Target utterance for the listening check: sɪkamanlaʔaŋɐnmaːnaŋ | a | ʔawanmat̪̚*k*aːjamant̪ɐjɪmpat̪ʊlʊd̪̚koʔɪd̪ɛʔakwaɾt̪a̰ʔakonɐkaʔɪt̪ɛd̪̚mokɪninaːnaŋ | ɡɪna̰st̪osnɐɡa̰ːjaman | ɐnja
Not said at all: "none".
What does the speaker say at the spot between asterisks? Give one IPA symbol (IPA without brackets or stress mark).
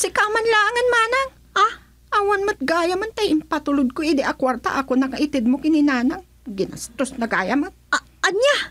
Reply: ɡ